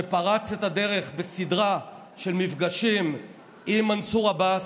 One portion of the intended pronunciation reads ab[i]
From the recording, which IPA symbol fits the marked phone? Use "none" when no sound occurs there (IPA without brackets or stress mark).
a